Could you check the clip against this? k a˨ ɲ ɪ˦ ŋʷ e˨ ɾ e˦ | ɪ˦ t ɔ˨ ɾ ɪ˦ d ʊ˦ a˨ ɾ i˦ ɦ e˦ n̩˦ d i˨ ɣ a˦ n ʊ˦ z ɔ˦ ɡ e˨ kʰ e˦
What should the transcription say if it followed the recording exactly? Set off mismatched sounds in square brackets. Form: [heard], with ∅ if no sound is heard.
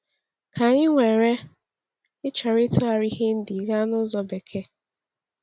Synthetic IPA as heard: k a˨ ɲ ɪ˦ ŋʷ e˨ ɾ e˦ | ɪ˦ [t͡ʃ] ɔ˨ ɾ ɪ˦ [t] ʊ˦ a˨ ɾ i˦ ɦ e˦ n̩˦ d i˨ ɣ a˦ n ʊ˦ z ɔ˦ [b] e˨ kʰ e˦